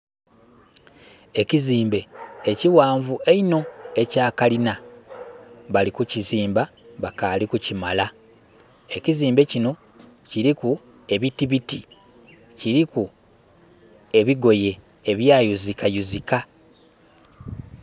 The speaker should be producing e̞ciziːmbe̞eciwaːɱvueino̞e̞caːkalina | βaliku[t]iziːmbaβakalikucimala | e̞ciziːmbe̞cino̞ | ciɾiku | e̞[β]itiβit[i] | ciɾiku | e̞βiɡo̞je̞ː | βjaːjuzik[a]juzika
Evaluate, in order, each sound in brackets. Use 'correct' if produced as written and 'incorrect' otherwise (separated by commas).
incorrect, correct, correct, correct